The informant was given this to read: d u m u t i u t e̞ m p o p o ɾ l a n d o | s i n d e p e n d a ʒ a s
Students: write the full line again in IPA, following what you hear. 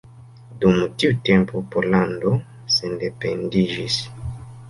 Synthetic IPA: d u m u t i u t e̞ m p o p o ɾ l a n d o | s e n d e p e n d i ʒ i s